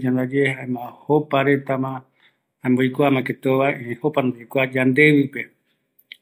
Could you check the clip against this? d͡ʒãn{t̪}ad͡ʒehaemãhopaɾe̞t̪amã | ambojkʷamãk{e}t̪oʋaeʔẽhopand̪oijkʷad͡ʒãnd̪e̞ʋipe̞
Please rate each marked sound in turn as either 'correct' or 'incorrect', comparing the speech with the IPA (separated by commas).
incorrect, correct